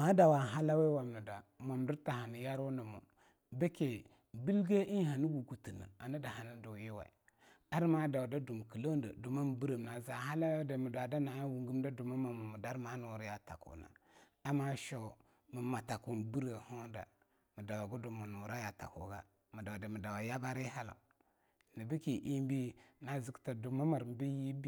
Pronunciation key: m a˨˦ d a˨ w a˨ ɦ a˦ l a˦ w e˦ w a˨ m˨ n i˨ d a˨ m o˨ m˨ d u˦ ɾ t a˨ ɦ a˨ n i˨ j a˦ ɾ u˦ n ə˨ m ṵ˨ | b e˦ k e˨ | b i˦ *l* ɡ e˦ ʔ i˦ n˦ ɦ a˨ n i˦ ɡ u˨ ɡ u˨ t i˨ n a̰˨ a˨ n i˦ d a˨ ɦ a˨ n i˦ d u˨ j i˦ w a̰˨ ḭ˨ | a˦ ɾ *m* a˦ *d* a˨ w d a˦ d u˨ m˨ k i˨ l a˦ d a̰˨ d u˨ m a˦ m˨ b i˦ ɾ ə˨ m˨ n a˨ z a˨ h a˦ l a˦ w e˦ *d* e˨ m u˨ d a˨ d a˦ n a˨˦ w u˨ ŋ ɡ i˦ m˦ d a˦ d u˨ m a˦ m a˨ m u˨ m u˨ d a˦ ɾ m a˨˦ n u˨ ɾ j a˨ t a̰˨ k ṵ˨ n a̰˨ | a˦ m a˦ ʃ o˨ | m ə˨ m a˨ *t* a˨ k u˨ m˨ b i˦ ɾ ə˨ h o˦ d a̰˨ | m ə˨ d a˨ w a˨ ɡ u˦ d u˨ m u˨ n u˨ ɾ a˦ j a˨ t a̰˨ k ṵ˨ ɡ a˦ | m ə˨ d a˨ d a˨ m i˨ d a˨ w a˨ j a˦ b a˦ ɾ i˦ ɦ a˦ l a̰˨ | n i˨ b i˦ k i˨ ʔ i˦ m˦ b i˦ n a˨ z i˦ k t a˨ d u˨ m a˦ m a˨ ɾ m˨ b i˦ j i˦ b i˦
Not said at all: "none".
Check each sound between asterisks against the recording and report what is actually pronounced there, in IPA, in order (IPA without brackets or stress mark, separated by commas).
l, m, d, d, t